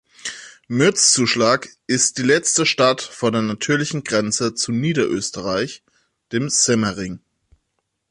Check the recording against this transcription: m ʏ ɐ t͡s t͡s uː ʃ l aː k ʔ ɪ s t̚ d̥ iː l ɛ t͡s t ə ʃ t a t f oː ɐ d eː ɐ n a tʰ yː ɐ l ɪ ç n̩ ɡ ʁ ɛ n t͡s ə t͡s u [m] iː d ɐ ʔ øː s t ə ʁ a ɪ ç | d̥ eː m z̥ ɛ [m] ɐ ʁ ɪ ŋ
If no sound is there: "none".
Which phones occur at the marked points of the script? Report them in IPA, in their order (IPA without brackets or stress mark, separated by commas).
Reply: n, m